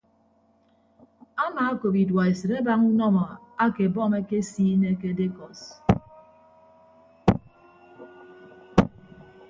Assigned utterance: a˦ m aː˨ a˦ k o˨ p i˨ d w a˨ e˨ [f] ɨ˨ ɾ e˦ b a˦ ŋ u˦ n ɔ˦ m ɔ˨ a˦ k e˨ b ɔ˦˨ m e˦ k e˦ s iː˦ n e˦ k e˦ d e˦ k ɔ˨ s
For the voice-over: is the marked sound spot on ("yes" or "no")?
no